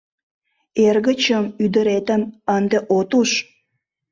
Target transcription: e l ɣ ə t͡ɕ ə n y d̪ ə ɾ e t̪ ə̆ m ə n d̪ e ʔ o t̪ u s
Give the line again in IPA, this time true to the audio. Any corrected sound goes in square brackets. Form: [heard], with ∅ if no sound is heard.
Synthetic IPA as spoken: e [r] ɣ ə t͡ɕ ə [m] y d̪ ə ɾ e t̪ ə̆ m ə n d̪ e ʔ o t̪ u [ʃ]